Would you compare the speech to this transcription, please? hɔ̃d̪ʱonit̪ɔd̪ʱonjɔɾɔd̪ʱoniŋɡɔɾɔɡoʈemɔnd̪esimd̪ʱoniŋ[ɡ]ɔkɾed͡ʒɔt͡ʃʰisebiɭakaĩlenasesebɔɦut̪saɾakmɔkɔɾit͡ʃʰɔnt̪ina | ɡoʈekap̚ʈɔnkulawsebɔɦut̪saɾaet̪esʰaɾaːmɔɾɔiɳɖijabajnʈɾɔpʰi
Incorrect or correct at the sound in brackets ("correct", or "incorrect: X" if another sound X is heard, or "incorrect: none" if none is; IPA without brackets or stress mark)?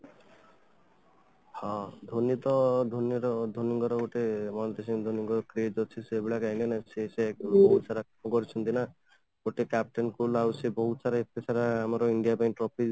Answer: correct